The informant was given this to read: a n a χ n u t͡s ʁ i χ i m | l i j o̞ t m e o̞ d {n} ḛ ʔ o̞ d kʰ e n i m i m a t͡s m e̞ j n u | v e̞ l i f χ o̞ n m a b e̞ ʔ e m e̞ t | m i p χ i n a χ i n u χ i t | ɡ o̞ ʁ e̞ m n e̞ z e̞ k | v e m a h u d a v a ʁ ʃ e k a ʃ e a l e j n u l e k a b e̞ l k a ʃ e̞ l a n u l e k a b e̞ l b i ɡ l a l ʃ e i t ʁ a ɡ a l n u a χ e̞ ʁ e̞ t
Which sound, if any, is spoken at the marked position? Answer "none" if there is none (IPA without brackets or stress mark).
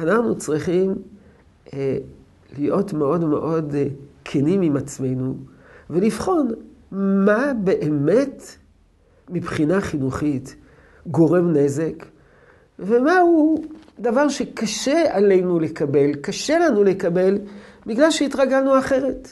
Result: m